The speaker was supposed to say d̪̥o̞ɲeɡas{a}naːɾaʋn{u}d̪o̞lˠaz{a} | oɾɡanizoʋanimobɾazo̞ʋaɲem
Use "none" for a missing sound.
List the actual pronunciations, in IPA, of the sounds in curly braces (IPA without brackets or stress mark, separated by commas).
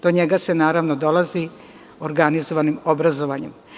e, o, i